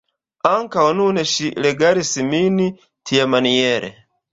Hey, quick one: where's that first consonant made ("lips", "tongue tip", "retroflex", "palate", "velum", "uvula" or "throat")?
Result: velum